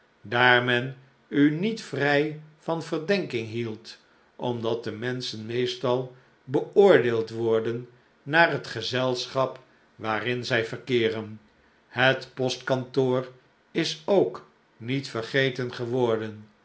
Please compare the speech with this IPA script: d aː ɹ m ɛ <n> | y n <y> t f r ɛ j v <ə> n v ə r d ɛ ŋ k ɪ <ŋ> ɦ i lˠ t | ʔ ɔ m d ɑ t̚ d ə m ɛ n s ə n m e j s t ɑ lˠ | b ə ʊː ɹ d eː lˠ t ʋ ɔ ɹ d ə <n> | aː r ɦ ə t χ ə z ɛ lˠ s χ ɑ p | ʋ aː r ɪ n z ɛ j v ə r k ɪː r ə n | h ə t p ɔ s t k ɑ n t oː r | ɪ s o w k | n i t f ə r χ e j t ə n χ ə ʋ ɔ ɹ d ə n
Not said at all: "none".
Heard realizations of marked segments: n, i, ɑ, ŋ, nː

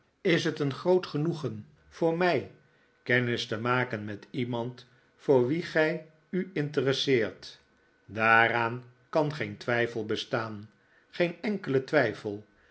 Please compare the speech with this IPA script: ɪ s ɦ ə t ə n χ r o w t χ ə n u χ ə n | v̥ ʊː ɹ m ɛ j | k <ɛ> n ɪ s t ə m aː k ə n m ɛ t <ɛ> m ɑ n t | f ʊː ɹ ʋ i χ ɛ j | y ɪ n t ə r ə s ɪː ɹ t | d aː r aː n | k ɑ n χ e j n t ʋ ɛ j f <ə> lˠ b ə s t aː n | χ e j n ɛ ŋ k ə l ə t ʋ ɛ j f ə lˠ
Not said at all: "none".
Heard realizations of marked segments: ɛ, i, ə

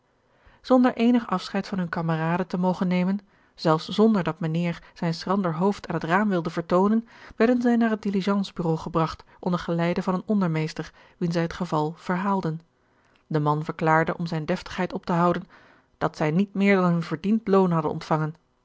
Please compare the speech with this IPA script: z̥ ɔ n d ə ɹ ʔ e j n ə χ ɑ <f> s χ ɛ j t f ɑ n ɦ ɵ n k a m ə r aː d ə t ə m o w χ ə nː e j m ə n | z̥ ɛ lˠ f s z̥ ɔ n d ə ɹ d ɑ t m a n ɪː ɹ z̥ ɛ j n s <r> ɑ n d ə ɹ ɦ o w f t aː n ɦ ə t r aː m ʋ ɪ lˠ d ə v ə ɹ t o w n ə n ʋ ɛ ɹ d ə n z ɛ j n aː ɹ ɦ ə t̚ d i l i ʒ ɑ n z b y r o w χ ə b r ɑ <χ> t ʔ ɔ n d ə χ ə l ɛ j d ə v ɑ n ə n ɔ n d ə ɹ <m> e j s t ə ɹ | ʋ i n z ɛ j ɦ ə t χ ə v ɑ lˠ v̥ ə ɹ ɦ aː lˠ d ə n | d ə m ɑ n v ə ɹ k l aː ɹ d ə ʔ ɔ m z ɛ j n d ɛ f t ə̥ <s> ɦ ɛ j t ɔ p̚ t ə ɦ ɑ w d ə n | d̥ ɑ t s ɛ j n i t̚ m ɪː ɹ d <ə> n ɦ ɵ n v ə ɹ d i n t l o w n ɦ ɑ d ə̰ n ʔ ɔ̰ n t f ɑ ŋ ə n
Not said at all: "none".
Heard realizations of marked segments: f, r, χ, m, χ, ɑ

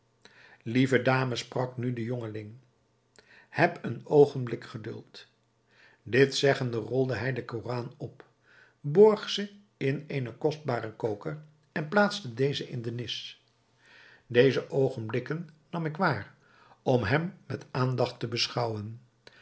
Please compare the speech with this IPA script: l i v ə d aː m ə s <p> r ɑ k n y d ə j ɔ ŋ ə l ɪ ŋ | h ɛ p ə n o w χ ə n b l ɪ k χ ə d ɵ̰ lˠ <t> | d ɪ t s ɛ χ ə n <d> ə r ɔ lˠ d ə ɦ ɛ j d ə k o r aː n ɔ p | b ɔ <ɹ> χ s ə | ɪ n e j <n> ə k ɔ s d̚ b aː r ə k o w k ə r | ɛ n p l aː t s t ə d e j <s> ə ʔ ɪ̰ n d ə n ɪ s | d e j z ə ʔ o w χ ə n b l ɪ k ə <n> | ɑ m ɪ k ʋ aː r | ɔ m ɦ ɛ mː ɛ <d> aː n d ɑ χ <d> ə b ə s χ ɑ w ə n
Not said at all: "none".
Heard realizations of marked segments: p, t, d, ɹ, n, z, nː, t, t

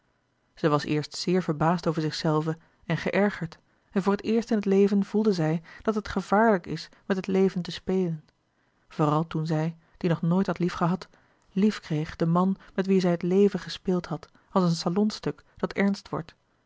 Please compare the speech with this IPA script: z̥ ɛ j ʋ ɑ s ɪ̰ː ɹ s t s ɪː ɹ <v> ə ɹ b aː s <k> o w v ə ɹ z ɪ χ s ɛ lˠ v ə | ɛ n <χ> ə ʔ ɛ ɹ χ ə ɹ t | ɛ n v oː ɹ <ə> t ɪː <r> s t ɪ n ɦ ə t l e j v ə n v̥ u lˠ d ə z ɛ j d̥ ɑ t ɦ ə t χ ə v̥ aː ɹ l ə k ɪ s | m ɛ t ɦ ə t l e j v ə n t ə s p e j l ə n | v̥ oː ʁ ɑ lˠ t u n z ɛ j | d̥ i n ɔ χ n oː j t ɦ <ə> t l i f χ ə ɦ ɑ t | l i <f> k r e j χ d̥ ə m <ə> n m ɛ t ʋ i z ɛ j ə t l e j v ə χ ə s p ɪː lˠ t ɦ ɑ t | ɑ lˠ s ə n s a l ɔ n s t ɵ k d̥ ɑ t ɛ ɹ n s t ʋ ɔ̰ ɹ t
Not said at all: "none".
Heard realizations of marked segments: v, t, χ, ə, ɹ, ɑ, f, ɑ

